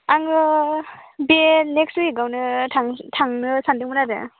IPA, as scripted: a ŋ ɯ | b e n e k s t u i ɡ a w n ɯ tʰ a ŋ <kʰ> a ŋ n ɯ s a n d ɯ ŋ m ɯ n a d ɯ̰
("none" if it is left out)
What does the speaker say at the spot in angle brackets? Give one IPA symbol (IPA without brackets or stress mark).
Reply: tʰ